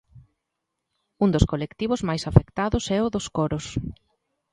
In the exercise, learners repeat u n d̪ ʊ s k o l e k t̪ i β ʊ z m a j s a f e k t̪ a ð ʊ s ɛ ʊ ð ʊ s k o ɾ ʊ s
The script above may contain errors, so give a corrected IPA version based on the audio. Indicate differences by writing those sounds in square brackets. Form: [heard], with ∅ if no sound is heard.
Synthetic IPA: u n d̪ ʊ s k o l e k t̪ i β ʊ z m a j s a f e k t̪ a ð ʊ s ɛ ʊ ð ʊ s k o ɾ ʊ s